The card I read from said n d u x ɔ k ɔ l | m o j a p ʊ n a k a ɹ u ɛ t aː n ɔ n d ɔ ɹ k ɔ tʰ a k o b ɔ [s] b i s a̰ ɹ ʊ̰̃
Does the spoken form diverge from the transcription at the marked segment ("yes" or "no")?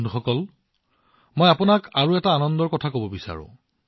yes